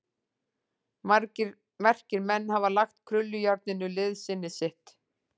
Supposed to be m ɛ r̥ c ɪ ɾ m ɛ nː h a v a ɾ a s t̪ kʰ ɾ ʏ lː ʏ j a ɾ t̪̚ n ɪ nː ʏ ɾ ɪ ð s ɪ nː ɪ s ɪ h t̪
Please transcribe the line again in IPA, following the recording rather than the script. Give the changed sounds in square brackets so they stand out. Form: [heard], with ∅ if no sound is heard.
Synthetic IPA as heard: m ɛ r̥ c ɪ ɾ m ɛ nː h a v a [l] a [x] t̪ kʰ ɾ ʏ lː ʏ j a ɾ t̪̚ n ɪ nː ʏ [l] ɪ ð s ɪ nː ɪ s ɪ h t̪